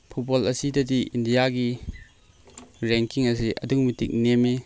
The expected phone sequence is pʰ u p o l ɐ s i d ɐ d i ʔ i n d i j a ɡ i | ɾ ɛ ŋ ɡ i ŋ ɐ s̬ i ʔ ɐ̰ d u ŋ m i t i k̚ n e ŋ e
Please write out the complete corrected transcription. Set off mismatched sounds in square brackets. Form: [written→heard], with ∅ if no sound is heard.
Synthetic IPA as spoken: pʰ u [p→b] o l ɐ s i d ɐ d i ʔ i n d i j a ɡ i | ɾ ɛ ŋ [ɡ→k] i ŋ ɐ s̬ i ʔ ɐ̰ d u ŋ m i t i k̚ n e [ŋ→m] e